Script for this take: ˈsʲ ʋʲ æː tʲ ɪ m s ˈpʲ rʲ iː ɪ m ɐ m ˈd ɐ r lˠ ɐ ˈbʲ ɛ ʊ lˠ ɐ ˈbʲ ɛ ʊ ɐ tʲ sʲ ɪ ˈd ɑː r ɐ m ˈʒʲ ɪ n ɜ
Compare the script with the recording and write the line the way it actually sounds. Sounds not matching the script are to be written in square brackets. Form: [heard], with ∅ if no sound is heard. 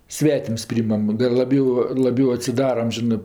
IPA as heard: ˈsʲ ʋʲ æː tʲ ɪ m s ˈpʲ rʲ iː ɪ m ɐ m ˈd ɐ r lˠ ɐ ˈbʲ ɛ ʊ lˠ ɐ ˈbʲ ɛ ʊ ɐ tʲ sʲ ɪ ˈd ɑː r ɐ m ˈʒʲ ɪ n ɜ